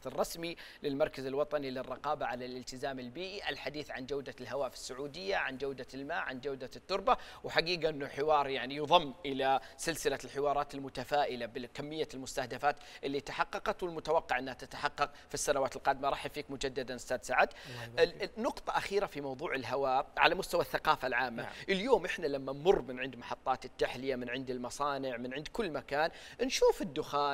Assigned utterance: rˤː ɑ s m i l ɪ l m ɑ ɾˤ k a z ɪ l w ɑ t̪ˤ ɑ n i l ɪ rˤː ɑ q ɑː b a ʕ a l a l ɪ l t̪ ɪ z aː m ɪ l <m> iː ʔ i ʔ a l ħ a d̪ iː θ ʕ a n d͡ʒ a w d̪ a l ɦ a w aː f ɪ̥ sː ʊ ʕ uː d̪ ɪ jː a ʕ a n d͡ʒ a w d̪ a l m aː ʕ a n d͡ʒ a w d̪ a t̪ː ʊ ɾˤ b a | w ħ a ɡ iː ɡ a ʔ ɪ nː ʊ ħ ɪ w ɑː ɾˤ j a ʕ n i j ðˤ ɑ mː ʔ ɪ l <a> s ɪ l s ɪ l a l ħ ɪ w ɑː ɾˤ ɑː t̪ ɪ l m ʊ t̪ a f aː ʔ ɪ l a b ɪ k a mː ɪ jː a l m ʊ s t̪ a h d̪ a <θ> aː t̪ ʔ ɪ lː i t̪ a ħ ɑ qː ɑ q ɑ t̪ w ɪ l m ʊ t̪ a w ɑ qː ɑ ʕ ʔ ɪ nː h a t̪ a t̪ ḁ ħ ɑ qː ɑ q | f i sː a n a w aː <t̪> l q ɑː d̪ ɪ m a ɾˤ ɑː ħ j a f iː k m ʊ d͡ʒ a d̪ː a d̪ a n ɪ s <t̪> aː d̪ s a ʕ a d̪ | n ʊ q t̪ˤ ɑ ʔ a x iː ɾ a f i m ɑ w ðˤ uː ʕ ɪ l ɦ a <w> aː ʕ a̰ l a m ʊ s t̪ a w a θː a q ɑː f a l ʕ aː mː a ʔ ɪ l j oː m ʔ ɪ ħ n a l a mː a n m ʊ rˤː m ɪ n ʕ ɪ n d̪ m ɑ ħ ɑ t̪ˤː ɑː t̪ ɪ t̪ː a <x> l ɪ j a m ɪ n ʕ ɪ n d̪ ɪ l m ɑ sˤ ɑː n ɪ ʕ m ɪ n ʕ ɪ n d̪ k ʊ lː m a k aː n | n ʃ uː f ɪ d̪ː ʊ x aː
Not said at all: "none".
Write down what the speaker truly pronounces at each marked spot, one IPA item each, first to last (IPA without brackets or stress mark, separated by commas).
b, a, f, t̪, t̪, w, ħ